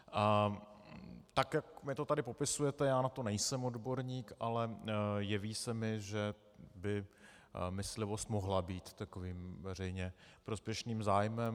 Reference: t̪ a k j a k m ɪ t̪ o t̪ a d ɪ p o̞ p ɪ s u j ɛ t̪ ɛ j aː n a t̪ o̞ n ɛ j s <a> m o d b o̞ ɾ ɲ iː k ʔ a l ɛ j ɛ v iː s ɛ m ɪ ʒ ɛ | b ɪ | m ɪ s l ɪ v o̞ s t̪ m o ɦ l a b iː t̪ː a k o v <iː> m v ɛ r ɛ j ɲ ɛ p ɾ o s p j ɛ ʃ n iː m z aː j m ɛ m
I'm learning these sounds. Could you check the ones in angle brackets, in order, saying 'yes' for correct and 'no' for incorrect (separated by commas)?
no, yes